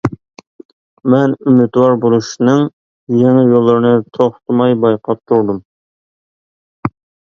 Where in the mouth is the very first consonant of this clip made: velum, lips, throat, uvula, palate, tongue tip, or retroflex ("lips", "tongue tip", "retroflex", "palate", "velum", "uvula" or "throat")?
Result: lips